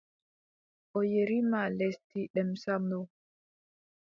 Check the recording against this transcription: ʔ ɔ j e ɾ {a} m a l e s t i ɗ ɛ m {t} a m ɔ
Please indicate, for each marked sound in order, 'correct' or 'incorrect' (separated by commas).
incorrect, incorrect